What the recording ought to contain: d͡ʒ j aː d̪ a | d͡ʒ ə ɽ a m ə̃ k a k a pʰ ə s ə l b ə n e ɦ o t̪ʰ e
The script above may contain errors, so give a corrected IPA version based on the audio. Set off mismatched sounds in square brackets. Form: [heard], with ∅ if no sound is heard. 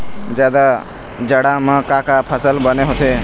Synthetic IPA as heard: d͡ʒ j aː d̪ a | d͡ʒ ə ɽ a m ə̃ k a k a pʰ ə s ə l b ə n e ɦ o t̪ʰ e

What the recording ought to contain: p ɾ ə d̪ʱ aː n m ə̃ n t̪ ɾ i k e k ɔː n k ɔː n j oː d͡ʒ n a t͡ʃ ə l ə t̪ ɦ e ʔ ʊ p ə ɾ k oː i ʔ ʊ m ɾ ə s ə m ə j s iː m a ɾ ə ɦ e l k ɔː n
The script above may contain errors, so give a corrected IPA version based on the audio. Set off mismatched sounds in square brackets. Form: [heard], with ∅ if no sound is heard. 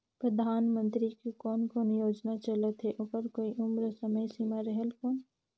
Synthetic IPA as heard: p ɾ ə d̪ʱ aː n m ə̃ n t̪ ɾ i k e k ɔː n k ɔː n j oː d͡ʒ n a t͡ʃ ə l ə t̪ ɦ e ʔ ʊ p ə ɾ k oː i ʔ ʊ m ɾ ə s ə m ə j s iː m a ɾ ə ɦ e l k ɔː n

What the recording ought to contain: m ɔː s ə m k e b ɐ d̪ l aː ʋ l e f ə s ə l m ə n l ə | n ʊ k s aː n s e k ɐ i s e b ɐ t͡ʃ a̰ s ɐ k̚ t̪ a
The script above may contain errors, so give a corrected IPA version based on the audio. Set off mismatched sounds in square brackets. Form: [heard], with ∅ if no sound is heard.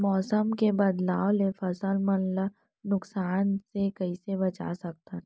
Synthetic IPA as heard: m ɔː s ə m k e b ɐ d̪ l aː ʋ l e f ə s ə l m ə n l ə | n ʊ k s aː n s e k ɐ i s e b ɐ t͡ʃ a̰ s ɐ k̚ t̪ a

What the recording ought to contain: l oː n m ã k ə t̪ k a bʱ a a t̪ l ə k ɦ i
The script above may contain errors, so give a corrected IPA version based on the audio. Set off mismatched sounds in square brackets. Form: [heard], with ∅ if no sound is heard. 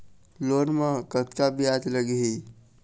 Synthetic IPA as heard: l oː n m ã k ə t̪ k a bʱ [i] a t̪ l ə [ɡ] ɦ i

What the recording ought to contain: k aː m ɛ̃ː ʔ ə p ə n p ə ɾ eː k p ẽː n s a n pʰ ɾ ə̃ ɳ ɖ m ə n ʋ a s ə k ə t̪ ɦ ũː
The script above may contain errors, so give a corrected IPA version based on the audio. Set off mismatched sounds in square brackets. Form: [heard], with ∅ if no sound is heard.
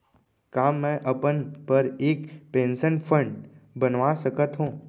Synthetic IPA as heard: k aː m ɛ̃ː ʔ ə p ə n p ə ɾ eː k p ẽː n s [ə] n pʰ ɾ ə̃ ɳ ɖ [b] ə n ʋ a s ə k ə t̪ ɦ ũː

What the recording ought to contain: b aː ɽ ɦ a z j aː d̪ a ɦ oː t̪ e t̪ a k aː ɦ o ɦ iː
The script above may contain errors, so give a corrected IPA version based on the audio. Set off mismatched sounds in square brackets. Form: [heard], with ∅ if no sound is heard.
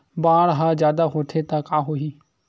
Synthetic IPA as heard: b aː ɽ ɦ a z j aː d̪ a ɦ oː [t̪ʰ] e t̪ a k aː ɦ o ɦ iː

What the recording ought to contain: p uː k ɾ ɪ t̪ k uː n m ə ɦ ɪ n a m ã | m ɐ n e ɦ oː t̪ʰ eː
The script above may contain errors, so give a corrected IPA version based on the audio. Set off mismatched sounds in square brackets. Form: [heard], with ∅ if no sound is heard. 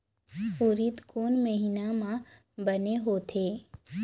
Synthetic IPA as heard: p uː [∅] ɾ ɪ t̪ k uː n m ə ɦ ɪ n a m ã | [b] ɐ n e ɦ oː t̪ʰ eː

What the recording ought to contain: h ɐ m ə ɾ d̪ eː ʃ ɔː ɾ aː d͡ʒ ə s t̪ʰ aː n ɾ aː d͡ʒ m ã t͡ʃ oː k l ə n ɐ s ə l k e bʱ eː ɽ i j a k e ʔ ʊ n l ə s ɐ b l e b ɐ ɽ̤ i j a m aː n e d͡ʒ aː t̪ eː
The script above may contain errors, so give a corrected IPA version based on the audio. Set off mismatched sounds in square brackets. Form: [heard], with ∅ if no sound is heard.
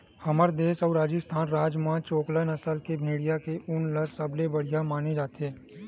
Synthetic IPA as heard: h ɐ m ə ɾ d̪ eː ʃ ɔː ɾ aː d͡ʒ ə s t̪ʰ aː n ɾ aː d͡ʒ m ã t͡ʃ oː k l ə n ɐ s ə l k e bʱ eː ɽ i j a k e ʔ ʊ n l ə s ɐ b l e b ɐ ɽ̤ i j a m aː n e d͡ʒ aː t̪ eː

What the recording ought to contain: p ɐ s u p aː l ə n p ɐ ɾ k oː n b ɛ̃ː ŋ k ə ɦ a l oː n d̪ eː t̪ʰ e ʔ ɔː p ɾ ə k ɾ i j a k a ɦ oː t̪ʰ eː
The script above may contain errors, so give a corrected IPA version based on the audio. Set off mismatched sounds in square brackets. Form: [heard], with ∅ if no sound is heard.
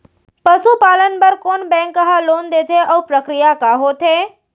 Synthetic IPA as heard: p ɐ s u p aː l ə n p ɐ ɾ k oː n b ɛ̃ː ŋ k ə ɦ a l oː n d̪ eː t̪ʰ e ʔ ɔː p ɾ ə k ɾ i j a k a ɦ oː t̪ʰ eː

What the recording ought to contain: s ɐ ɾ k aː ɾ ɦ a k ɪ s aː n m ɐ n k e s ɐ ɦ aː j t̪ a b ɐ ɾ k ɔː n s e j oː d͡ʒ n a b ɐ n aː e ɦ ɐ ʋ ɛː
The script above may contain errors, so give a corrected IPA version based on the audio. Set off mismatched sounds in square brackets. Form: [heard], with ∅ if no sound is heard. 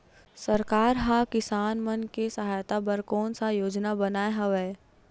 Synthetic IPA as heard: s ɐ ɾ k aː ɾ ɦ a k ɪ s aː n m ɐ n k e s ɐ ɦ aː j t̪ a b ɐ ɾ k ɔː n s [a] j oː d͡ʒ n a b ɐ n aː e ɦ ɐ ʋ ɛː

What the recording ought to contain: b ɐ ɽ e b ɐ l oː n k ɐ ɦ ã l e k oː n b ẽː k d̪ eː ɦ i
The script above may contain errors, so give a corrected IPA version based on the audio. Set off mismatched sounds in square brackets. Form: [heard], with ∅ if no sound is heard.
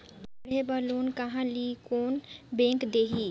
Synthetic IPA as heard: b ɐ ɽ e b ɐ l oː n k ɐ ɦ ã l [i] k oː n b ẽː k d̪ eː ɦ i

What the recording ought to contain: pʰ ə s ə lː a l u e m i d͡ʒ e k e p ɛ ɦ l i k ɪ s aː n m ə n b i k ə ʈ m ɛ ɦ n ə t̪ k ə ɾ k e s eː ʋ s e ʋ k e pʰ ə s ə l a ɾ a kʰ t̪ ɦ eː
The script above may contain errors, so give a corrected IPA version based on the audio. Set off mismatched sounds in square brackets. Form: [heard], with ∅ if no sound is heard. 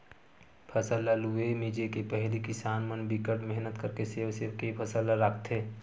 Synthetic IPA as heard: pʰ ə s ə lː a l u e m i d͡ʒ e k e p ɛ ɦ l i k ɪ s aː n m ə n b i k ə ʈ m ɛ ɦ n ə t̪ k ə ɾ k e s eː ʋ s e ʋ k e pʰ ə s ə l a ɾ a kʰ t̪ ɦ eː

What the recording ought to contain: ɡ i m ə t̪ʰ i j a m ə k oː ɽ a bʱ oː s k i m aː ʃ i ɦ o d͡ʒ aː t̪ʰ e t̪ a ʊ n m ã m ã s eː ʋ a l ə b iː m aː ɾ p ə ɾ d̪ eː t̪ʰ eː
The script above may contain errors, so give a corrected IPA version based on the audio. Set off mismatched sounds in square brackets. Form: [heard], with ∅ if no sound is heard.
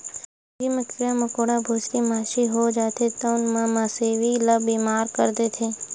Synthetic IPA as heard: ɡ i m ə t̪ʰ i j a m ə k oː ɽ a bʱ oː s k i m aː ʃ i ɦ o d͡ʒ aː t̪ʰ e t̪ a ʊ n m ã m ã s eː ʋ [i] l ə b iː m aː ɾ [k] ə ɾ d̪ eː t̪ʰ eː

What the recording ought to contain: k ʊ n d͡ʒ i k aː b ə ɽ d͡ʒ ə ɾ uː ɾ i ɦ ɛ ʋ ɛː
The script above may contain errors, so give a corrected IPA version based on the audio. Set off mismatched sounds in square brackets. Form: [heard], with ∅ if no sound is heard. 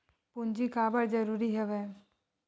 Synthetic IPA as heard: [p] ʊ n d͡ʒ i k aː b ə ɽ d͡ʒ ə ɾ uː ɾ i ɦ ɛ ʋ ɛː

